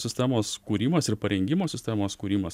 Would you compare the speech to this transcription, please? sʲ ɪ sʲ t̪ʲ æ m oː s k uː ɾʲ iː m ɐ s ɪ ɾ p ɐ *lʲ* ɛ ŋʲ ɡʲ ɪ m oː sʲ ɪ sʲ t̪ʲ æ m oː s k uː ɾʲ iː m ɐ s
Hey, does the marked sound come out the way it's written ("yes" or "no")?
no